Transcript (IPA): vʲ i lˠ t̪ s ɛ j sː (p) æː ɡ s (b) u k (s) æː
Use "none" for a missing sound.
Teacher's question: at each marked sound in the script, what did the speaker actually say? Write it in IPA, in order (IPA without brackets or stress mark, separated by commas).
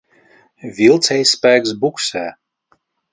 p, b, s